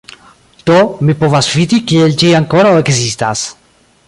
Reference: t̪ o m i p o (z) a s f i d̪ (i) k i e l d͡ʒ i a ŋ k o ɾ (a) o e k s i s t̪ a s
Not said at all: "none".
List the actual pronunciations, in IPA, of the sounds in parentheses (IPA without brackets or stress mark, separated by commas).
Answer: v, i, a